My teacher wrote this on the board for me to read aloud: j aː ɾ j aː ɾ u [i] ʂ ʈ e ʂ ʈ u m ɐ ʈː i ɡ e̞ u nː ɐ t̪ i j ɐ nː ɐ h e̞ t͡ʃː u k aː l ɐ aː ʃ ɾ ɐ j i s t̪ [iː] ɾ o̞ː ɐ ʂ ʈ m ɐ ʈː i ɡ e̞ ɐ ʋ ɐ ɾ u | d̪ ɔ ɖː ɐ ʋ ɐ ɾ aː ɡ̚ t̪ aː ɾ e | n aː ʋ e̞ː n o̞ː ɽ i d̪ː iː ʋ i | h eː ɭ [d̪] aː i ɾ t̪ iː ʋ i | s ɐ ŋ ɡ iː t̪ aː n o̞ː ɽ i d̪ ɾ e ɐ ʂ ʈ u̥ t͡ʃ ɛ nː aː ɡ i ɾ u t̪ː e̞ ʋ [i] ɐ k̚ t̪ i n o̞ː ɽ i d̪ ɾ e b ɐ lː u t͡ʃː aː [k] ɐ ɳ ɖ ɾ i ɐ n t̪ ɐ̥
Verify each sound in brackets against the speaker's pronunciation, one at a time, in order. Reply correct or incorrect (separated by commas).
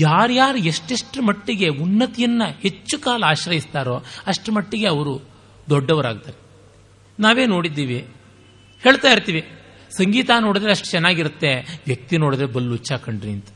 incorrect, incorrect, incorrect, incorrect, correct